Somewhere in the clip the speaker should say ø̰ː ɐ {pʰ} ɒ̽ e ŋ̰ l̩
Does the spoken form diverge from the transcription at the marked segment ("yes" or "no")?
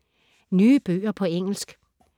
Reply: no